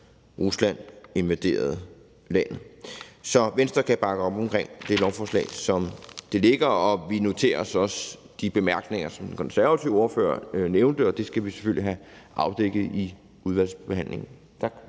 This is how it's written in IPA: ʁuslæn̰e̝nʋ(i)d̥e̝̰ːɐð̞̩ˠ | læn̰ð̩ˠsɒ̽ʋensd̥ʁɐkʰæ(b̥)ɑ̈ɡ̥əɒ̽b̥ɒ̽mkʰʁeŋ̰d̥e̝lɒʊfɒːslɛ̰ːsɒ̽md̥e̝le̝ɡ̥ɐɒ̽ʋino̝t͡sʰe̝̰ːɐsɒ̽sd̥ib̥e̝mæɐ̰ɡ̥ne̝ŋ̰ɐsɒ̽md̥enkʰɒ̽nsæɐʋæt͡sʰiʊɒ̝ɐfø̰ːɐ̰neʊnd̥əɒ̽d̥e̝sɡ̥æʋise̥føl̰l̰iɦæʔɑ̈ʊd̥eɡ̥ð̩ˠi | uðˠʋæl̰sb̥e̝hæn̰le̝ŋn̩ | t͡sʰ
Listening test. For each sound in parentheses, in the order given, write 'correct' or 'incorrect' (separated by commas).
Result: incorrect, correct